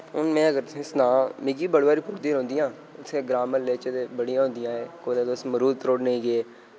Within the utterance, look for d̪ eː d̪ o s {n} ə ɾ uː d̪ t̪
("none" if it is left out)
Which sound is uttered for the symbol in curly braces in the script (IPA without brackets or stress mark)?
m